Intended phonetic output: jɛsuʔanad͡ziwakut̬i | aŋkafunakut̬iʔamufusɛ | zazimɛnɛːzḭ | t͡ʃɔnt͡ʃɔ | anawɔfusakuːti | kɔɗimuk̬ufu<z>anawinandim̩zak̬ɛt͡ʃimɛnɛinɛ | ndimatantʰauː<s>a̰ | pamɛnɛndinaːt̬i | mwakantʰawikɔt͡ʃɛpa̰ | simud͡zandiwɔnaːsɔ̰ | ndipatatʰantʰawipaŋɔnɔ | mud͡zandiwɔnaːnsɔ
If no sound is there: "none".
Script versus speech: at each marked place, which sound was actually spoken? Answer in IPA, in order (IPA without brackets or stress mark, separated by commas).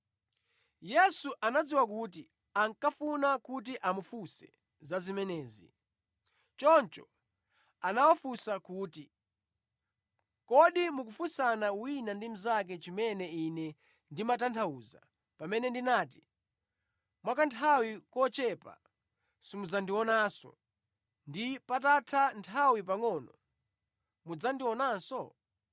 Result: s, z